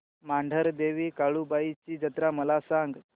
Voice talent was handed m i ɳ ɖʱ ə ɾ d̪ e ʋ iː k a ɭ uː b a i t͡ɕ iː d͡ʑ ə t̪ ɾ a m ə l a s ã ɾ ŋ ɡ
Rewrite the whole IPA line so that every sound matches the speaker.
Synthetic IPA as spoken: m a ɳ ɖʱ ə ɾ d̪ e ʋ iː k a ɭ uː b a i t͡ɕ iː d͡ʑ ə t̪ ɾ a m ə l a s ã ŋ ɡ